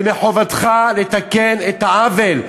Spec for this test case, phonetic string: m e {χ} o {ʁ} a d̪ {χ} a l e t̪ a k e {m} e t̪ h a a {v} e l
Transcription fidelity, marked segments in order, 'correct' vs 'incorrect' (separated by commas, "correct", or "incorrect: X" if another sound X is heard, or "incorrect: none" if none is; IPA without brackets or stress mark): incorrect: ħ, incorrect: v, correct, incorrect: n, correct